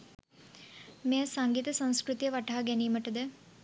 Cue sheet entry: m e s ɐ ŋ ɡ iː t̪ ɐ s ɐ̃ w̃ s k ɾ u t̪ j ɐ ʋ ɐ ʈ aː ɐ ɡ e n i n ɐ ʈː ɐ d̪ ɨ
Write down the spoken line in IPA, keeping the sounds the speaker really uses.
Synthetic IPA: m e s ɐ ŋ ɡ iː t̪ ɐ s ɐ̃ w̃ s k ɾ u t̪ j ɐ ʋ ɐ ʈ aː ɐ ɡ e n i m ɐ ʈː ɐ d̪ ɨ